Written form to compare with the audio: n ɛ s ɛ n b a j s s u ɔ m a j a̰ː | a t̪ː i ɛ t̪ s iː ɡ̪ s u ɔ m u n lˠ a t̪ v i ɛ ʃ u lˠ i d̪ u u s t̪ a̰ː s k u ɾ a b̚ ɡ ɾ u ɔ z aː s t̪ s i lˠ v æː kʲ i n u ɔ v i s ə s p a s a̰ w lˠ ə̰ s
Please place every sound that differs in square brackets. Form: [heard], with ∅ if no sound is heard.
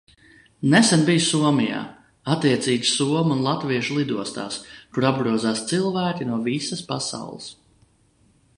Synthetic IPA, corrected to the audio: n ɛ s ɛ n b [i] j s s u ɔ m [i] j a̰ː | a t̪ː i ɛ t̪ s iː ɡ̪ s u ɔ m u n lˠ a t̪ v i ɛ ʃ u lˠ i d̪ u [ɔ] s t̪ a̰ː s k u ɾ a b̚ ɡ ɾ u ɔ z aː s t̪ s i lˠ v æː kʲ i n u ɔ v i s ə s p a s a̰ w lˠ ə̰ s